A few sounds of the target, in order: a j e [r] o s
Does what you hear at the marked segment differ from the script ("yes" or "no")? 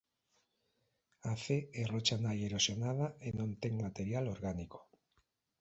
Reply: yes